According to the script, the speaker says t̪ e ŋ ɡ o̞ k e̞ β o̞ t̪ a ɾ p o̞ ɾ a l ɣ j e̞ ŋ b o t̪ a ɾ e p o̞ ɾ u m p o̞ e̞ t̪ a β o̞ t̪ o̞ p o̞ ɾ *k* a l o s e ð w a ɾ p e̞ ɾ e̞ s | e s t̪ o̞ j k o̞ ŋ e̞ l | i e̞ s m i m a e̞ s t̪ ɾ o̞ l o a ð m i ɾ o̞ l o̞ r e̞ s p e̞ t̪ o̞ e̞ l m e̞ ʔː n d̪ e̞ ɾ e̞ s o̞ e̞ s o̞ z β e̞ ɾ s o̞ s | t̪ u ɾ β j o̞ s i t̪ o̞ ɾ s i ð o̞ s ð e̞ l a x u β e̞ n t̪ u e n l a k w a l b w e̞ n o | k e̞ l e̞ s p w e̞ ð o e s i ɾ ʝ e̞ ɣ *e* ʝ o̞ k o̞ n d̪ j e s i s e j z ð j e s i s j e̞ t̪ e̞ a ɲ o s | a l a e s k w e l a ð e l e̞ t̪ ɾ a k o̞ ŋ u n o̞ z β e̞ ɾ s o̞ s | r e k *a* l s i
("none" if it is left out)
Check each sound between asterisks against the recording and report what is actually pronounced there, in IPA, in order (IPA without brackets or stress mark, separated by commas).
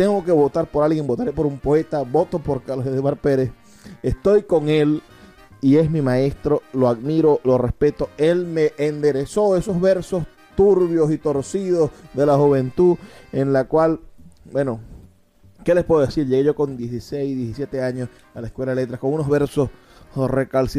k, e, a